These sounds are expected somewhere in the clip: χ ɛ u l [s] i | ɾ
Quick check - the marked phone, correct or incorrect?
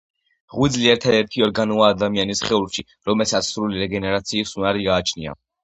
incorrect